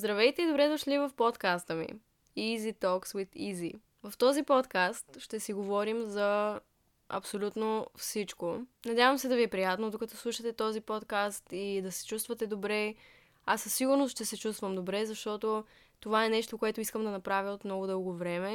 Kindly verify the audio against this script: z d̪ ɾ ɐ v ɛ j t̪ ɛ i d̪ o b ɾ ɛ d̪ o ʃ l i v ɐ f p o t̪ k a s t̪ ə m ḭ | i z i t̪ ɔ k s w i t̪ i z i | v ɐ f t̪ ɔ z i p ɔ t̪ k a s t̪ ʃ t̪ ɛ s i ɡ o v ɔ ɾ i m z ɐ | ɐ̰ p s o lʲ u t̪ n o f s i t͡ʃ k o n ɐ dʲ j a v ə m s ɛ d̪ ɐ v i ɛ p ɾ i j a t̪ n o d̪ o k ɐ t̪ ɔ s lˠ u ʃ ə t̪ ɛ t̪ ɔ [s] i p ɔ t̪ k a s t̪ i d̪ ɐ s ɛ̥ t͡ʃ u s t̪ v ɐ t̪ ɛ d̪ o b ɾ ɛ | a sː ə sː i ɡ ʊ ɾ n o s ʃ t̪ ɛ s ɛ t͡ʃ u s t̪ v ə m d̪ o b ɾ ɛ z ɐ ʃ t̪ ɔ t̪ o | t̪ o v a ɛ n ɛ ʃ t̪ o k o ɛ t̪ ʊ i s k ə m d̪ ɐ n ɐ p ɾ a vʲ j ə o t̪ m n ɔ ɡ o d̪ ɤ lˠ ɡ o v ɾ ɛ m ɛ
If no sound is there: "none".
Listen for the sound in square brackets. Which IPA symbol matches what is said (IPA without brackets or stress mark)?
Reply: z